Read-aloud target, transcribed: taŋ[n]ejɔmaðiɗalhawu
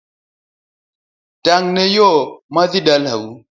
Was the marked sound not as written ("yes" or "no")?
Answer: no